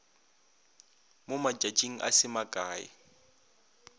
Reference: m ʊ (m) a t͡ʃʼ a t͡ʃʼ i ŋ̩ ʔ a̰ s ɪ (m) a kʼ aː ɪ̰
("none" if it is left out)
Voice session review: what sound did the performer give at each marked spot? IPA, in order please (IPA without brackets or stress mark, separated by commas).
m, m